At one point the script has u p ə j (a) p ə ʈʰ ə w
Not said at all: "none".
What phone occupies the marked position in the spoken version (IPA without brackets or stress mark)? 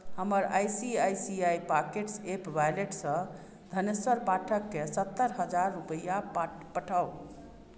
a